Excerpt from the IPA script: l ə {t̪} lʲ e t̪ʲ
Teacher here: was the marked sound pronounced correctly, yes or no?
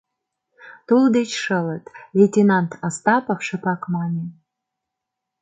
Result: yes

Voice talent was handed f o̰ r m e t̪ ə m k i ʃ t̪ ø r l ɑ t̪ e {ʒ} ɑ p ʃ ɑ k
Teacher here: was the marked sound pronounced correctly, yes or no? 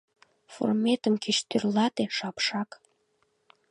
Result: no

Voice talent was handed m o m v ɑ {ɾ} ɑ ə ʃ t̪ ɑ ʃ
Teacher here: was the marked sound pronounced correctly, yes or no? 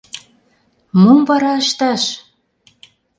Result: yes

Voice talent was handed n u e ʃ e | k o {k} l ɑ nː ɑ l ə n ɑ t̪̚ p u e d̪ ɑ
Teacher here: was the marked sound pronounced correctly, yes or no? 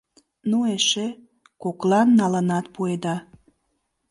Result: yes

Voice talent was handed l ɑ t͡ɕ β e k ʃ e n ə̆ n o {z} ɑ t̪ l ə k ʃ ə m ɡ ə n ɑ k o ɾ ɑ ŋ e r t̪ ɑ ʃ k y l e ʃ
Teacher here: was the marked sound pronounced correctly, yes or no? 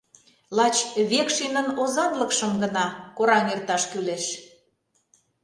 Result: yes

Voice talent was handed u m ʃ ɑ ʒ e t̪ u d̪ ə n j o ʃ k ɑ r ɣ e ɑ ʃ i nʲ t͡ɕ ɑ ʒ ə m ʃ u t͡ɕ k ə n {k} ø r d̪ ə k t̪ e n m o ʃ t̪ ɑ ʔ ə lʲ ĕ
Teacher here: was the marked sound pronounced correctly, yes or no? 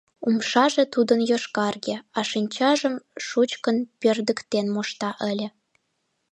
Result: no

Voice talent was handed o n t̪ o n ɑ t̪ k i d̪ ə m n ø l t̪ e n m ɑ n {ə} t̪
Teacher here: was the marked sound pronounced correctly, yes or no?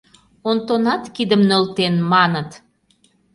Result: yes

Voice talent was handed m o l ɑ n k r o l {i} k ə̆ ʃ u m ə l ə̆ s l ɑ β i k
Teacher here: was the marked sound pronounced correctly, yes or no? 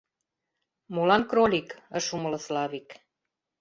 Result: yes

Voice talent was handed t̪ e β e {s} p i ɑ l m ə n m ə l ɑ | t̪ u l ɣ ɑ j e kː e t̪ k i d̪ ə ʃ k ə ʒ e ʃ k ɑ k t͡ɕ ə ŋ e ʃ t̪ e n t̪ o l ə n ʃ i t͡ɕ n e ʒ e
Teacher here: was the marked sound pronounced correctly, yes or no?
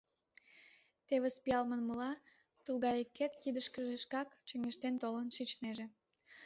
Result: yes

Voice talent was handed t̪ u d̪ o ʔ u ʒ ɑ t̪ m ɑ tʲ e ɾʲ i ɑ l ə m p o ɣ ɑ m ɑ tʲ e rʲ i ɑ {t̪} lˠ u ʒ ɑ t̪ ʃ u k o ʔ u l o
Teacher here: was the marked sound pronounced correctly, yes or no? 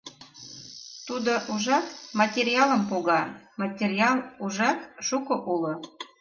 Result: no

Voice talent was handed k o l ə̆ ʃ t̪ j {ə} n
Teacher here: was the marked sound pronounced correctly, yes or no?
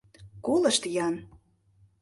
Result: no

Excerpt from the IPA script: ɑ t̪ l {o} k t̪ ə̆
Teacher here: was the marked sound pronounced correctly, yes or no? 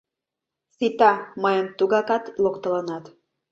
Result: yes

